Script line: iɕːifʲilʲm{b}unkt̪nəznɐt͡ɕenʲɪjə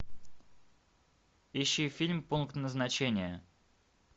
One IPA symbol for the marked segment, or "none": p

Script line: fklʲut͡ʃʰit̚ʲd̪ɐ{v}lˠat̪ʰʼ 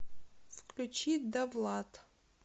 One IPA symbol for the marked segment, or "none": v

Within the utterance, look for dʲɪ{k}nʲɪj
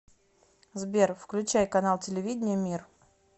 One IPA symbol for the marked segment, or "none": none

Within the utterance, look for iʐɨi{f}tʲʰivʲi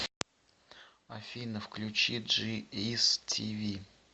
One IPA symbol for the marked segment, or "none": s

